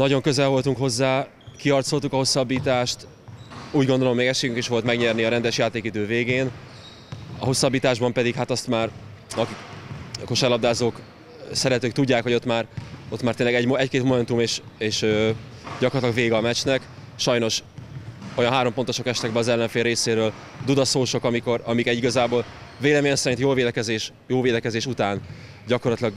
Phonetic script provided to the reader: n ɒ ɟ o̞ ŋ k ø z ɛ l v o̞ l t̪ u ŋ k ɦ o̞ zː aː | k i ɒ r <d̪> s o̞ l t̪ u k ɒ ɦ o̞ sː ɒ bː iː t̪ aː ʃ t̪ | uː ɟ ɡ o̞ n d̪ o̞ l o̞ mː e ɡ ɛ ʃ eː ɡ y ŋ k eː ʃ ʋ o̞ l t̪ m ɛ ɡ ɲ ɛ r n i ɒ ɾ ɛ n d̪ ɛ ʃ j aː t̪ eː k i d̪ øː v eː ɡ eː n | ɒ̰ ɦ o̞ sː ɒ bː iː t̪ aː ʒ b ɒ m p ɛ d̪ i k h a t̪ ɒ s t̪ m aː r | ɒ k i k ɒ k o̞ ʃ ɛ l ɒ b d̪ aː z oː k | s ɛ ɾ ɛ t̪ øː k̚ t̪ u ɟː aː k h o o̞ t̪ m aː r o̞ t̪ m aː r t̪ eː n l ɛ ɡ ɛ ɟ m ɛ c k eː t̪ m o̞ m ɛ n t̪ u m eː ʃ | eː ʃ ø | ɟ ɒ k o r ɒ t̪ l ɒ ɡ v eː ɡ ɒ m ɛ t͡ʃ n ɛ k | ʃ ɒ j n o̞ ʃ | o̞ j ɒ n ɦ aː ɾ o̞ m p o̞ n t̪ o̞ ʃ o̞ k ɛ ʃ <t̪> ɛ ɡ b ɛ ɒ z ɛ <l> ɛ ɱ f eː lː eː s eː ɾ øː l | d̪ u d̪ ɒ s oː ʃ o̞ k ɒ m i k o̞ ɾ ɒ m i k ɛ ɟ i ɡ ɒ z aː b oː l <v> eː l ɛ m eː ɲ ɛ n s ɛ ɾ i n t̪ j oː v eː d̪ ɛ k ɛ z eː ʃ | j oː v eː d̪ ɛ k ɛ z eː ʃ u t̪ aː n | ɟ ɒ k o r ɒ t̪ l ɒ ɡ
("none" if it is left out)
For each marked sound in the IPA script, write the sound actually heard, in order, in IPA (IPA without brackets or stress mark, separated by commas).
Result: t̪, t̪, lː, v